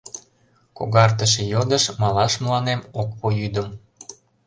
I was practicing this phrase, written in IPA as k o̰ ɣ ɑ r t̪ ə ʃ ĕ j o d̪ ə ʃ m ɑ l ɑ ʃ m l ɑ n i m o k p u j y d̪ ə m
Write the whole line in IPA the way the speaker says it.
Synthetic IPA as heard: k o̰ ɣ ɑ r t̪ ə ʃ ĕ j o d̪ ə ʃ m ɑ l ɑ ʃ m l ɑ n e m o k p o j y d̪ ə m